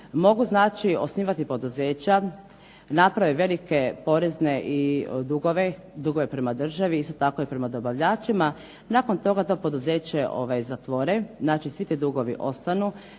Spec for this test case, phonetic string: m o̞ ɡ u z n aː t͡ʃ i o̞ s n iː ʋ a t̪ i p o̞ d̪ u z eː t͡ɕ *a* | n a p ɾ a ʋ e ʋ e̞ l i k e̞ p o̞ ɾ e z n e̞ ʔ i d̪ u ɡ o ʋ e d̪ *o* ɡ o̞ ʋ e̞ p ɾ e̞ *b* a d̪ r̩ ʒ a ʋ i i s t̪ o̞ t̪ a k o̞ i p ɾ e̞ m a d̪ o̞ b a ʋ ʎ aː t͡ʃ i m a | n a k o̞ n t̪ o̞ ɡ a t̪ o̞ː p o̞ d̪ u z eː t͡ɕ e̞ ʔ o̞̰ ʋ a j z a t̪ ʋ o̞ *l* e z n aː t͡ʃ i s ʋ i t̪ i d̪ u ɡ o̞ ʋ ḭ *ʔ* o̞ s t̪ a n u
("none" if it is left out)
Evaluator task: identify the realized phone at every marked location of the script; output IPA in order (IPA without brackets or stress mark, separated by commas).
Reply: a, u, m, ɾ, ʔ